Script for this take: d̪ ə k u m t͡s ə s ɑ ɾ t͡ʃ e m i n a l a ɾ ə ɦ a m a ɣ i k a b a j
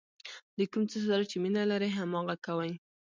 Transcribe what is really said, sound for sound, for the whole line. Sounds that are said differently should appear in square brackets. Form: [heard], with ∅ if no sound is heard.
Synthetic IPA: d̪ ə k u m t͡s ə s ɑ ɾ t͡ʃ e m i n a l a ɾ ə ɦ a m [ɑ] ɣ [a] k a [w] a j